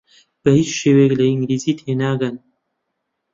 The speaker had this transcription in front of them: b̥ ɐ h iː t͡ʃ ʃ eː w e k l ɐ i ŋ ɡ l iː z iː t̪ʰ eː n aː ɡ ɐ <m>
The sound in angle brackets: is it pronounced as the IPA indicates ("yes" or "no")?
no